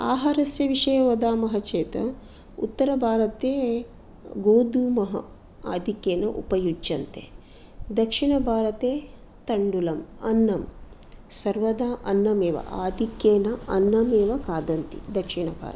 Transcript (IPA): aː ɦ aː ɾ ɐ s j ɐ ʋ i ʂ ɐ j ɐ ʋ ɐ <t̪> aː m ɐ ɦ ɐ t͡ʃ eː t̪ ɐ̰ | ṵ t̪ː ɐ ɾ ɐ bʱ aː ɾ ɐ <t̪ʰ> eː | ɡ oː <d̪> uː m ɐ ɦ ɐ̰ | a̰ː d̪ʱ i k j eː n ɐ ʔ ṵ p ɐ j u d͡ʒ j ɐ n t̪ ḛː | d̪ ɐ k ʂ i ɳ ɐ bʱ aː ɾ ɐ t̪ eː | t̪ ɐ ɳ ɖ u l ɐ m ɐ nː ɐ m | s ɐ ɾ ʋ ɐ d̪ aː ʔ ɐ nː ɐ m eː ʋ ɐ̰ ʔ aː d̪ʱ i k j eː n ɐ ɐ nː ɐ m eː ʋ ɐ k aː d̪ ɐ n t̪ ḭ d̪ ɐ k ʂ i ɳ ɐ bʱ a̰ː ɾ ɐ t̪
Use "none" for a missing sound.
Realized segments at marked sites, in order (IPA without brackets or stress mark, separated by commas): d̪, t̪, d̪